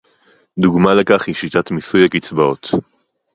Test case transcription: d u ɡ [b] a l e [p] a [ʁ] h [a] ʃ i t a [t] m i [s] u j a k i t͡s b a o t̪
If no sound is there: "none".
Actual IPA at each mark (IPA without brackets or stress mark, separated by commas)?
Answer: m, k, χ, i, t, s